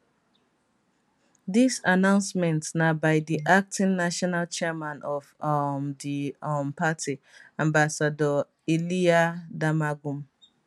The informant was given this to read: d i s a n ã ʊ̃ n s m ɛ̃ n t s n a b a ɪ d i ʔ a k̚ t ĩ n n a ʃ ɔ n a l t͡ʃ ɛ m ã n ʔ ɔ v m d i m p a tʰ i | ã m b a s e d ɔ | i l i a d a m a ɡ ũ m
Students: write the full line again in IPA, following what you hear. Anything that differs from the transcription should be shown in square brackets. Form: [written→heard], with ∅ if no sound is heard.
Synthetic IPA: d i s a n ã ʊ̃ n s m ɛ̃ n t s n a b a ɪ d i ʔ a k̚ t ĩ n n a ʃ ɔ n a l t͡ʃ ɛ m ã n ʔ ɔ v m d i m p a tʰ i | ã m b a s [e→a] d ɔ | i l i a d a m a ɡ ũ m